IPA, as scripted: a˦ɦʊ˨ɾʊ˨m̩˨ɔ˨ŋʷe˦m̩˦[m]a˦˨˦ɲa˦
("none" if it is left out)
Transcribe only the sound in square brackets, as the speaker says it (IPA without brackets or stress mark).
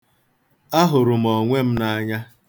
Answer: n